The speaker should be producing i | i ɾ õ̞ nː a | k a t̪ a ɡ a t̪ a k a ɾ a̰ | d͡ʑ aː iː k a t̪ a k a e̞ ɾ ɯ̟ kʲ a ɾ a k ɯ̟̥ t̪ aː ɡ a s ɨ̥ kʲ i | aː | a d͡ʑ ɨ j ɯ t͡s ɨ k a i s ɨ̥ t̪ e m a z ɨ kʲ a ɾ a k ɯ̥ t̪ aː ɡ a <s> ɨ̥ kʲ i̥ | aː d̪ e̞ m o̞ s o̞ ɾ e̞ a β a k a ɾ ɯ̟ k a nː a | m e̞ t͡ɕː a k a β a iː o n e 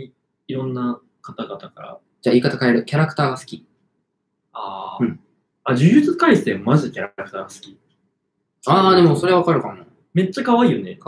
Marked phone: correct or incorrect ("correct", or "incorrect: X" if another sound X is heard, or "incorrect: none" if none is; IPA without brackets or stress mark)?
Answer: correct